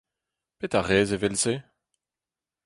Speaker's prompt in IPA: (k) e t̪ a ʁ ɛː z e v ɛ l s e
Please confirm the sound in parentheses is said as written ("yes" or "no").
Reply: no